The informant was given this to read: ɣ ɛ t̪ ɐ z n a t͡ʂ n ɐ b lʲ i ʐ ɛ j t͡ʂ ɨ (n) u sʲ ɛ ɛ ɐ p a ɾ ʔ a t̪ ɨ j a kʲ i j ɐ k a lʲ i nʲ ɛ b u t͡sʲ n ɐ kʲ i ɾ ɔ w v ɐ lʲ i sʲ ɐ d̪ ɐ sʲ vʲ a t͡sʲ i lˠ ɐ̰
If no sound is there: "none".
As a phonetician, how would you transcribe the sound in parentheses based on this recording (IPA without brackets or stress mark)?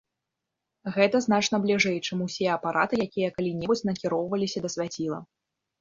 m